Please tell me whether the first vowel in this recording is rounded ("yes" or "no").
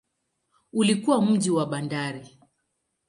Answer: yes